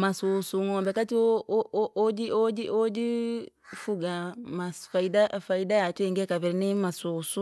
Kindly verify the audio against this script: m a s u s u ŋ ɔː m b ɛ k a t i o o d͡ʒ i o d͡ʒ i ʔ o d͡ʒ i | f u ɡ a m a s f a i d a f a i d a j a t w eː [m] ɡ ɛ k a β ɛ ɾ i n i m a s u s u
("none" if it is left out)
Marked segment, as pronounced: ŋ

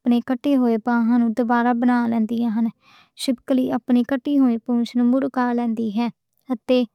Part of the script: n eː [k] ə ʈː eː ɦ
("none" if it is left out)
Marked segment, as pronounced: k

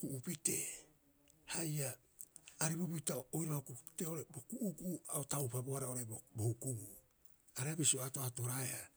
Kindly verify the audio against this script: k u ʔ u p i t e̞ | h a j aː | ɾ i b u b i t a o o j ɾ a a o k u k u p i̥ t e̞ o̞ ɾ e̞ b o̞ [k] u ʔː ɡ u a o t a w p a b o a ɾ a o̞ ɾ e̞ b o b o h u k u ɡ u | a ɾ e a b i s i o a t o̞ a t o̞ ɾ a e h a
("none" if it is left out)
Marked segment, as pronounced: k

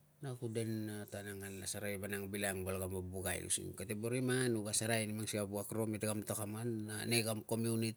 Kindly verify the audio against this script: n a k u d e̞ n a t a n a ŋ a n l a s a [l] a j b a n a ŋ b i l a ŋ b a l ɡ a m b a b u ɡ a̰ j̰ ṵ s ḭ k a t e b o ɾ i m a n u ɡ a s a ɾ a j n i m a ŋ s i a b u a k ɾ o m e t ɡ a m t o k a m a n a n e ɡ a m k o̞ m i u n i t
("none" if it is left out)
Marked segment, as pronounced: ɾ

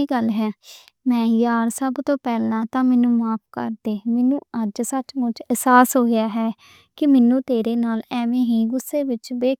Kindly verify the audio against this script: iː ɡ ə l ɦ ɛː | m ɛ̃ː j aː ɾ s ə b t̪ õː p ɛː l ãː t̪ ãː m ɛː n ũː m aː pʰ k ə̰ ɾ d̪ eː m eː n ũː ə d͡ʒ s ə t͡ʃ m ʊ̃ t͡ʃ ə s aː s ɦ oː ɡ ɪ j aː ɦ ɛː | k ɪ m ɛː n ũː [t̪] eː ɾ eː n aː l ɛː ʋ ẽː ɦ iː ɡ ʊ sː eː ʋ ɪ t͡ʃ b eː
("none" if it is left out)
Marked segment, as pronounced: t̪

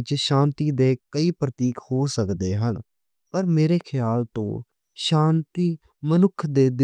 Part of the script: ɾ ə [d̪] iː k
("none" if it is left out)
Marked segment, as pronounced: t̪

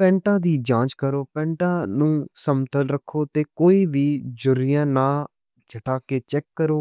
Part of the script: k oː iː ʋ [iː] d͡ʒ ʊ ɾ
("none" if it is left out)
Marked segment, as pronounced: iː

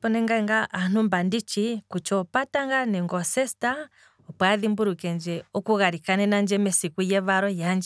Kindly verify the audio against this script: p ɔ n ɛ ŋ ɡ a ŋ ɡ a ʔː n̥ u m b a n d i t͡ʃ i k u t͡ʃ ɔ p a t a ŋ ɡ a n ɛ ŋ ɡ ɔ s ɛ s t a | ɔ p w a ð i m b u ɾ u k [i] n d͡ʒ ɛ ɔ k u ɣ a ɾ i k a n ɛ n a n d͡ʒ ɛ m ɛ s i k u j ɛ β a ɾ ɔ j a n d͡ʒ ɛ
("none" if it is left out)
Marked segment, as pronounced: ɛ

